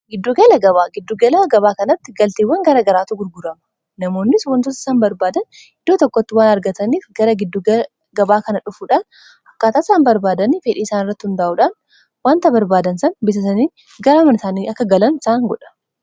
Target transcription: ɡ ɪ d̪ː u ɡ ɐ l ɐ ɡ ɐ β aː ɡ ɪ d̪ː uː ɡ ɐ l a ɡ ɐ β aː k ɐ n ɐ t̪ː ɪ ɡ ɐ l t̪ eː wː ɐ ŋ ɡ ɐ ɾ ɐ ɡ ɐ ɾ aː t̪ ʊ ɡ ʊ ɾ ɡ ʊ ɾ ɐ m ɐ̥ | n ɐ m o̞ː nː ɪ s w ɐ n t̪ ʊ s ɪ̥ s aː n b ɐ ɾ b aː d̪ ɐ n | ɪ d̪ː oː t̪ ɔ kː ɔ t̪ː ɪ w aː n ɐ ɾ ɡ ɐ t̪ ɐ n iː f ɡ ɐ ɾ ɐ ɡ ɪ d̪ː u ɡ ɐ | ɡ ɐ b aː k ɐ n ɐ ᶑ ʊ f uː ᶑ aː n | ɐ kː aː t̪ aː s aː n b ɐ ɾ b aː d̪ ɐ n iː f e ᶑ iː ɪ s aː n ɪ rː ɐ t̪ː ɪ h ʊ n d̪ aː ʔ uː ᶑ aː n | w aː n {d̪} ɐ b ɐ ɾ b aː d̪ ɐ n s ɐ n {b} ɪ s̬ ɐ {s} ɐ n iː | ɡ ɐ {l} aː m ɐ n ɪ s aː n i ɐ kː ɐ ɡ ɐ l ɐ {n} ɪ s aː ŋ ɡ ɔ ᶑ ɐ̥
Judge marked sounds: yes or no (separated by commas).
no, yes, yes, no, yes